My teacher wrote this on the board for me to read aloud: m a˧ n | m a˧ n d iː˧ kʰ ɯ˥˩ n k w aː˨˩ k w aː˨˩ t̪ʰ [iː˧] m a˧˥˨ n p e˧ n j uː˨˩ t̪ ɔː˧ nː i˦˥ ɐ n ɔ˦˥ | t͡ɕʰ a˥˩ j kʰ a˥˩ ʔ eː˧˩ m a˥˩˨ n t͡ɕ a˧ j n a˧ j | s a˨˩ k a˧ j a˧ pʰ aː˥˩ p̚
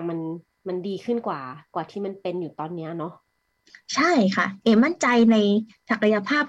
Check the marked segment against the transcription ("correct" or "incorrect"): incorrect